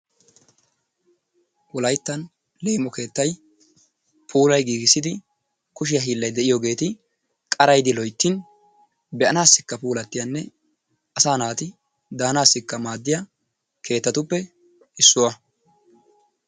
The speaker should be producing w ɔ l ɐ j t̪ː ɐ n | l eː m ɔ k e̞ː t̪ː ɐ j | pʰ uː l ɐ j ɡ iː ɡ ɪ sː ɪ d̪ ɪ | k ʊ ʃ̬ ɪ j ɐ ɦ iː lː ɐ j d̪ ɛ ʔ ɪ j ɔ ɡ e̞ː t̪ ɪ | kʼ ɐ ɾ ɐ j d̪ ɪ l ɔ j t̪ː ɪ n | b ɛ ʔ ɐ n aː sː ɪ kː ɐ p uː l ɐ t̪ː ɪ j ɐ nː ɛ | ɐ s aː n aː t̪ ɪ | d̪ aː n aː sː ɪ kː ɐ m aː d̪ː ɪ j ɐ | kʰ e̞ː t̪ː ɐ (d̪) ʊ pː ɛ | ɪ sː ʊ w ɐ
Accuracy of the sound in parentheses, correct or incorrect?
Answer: incorrect